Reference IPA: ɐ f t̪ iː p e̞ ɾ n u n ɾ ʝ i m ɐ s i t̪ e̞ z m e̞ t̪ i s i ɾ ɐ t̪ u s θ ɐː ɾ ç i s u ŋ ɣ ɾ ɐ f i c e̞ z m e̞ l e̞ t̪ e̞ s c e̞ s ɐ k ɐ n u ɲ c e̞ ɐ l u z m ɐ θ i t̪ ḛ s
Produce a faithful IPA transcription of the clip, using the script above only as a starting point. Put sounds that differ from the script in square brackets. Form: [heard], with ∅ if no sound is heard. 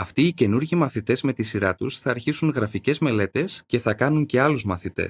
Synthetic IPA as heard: ɐ f t̪ iː [c] e̞ [∅] n u [∅] ɾ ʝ i m ɐ [θ] i t̪ e̞ z m e̞ t̪ i s i ɾ ɐ t̪ u s θ ɐː ɾ ç i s u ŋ ɣ ɾ ɐ f i c e̞ z m e̞ l e̞ t̪ e̞ s c e̞ [θ] ɐ k ɐ n u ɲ c e̞ ɐ l u z m ɐ θ i t̪ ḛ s